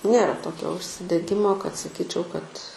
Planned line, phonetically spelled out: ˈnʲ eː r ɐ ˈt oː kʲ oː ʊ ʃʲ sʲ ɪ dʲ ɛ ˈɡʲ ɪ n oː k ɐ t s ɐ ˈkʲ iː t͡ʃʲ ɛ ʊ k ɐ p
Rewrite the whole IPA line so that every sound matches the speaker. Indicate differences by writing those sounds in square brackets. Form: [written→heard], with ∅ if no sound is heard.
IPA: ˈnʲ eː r ɐ ˈt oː kʲ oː ʊ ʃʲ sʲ ɪ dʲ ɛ ˈɡʲ ɪ [n→m] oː k ɐ t s ɐ ˈkʲ iː t͡ʃʲ ɛ ʊ k ɐ [p→t]